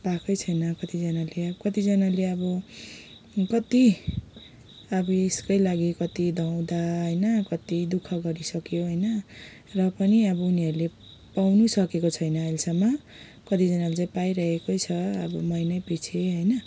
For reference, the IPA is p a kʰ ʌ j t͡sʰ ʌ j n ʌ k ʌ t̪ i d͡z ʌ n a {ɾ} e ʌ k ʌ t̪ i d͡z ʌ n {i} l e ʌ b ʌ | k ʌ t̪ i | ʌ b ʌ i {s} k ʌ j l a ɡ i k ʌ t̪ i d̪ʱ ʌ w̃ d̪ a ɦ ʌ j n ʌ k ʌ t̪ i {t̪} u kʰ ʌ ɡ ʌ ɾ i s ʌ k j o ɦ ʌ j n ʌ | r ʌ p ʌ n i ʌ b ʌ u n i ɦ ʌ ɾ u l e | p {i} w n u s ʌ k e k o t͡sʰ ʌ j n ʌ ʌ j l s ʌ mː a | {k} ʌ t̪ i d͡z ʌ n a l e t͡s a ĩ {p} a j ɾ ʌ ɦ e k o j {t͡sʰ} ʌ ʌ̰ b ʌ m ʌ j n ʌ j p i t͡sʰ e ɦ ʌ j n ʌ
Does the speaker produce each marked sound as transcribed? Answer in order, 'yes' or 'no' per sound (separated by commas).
no, no, yes, no, no, yes, yes, yes